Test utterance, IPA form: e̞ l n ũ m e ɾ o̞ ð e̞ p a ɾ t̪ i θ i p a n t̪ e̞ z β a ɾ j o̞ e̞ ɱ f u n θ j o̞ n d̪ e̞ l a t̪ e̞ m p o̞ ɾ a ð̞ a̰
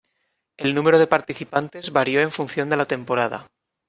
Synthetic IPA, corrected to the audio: e̞ l n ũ m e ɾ o̞ ð e̞ p a ɾ t̪ i θ i p a n t̪ e̞ z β a ɾ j o̞ e̞ ɱ f u n θ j o̞ n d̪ e̞ l a t̪ e̞ m p o̞ ɾ a ð̞ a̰